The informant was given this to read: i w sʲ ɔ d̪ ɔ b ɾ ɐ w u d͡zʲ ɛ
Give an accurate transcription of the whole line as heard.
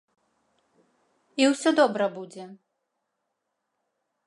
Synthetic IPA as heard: i w sʲ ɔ d̪ ɔ b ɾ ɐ b u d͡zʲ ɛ

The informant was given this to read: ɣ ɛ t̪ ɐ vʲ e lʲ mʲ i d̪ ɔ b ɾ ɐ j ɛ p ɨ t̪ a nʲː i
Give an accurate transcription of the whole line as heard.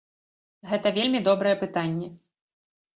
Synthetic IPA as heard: ɣ ɛ t̪ ɐ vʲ e lʲ mʲ i d̪ ɔ b ɾ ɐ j ɛ p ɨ t̪ a nʲː ɛ

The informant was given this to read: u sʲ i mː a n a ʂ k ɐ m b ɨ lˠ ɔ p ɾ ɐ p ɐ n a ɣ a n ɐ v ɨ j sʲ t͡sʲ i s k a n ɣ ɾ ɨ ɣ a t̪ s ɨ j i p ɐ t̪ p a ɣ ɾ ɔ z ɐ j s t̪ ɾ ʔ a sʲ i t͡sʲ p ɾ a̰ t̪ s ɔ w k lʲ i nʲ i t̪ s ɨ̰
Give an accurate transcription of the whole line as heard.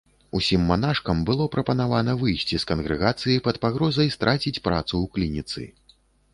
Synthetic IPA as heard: u sʲ i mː a n a ʂ k ɐ m b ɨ lˠ ɔ p ɾ ɐ p ɐ n a v a n ɐ v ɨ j sʲ t͡sʲ i s k ɐ n ɣ ɾ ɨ ɣ a t̪ s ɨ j i p ɐ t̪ p a ɣ ɾ ɔ z ɐ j s t̪ ɾ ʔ a t͡sʲ i t͡sʲ p ɾ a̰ t̪ s u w k lʲ i nʲ i t̪ s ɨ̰

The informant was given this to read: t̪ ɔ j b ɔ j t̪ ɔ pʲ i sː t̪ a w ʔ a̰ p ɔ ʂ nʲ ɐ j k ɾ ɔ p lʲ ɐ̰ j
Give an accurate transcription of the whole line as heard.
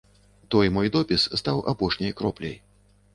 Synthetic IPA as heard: t̪ ɔ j m ɔ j d̪ ɔ pʲ i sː t̪ a w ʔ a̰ p ɔ ʂ nʲ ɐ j k ɾ ɔ p lʲ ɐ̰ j

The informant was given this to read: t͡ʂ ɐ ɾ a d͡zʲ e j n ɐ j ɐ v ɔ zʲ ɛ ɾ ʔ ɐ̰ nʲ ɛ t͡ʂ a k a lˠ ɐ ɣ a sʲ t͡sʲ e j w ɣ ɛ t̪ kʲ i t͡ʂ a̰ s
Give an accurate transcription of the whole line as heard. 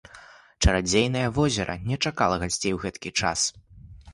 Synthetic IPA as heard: t͡ʂ ɐ ɾ a d͡zʲ e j n ɐ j ɐ v ɔ zʲ ɛ ɾ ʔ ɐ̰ nʲ ɛ t͡ʂ a k a lˠ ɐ ɣ a sʲ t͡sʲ e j w ɣ ɛ t̪ kʲ i t͡ʂ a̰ s

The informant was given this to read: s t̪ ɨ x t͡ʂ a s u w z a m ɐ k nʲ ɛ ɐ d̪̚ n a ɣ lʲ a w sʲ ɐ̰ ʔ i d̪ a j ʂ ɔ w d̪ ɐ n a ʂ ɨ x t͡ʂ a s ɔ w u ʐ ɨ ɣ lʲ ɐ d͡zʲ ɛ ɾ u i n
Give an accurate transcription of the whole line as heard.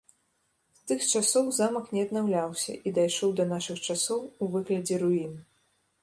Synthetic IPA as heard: s t̪ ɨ x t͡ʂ a s ɔ w z a m ɐ k nʲ ɛ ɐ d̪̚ n a w lʲ a w sʲ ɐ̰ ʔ i d̪ a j ʂ ɔ w d̪ ɐ n a ʂ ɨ x t͡ʂ a s ɔ w u v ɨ ɣ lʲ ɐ d͡zʲ ɛ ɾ u i n

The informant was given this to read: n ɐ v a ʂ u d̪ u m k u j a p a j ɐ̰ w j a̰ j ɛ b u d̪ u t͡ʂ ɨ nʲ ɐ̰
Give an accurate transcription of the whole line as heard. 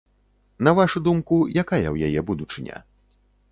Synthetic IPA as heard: n ɐ v a ʂ u d̪ u m k u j a k a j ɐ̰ w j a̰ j ɛ b u d̪ u t͡ʂ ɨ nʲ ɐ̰

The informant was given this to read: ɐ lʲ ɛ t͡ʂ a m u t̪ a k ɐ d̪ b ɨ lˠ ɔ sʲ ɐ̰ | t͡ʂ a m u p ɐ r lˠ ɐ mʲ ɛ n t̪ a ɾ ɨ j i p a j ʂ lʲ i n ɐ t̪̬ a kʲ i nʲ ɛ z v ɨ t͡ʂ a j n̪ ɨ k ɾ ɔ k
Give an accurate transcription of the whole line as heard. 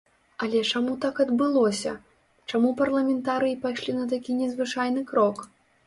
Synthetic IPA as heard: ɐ lʲ ɛ t͡ʂ a m u t̪ a k ɐ d̪ b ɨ lˠ ɔ sʲ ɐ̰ | t͡ʂ a m u p ɐ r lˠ ɐ mʲ ɛ n t̪ a ɾ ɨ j i p a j ʂ lʲ i n ɐ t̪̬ a kʲ i nʲ ɛ z v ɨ t͡ʂ a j n̪ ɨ k ɾ ɔ k

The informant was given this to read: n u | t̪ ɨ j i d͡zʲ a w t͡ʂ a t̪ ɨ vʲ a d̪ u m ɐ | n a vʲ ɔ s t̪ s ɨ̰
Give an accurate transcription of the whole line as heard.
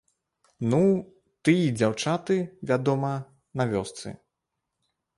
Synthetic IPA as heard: n u | t̪ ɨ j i d͡zʲ a w t͡ʂ a t̪ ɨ vʲ a d̪ ɔ m ɐ | n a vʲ ɔ s t̪ s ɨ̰

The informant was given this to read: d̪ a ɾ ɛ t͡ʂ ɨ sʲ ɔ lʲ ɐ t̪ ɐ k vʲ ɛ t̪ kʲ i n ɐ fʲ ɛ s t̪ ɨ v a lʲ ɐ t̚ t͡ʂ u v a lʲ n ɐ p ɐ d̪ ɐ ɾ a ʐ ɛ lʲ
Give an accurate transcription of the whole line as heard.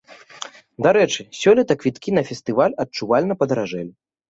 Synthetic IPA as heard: d̪ a ɾ ɛ t͡ʂ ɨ sʲ ɔ lʲ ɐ t̪ ɐ k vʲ i t̪ kʲ i n ɐ fʲ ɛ s t̪ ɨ v a lʲ ɐ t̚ t͡ʂ u v a lʲ n ɐ p ɐ d̪ ɐ ɾ a ʐ ɛ lʲ

